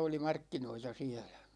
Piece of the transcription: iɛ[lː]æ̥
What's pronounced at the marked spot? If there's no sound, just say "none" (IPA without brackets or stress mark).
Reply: l